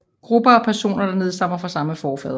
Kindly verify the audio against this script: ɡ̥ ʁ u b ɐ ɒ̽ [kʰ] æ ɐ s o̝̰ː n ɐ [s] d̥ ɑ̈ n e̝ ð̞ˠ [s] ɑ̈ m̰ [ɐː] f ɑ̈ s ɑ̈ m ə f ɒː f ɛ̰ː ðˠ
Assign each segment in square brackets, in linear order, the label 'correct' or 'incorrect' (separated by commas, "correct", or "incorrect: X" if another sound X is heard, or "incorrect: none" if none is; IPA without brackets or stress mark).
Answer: incorrect: pʰ, incorrect: none, correct, incorrect: ɐ